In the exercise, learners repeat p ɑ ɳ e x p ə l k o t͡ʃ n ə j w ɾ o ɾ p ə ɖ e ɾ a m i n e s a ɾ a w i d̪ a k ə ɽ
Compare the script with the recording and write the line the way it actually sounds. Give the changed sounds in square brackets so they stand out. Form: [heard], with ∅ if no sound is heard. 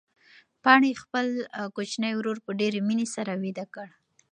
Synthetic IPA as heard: p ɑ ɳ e x p ə l k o t͡ʃ n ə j w ɾ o ɾ p ə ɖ e ɾ [e] m i n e s a ɾ a w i d̪ a k ə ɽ